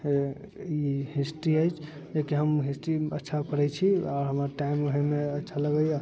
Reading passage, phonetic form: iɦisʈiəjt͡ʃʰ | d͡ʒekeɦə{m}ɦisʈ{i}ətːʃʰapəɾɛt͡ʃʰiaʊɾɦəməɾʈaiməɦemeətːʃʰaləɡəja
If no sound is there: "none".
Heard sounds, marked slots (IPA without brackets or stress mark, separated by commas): m, i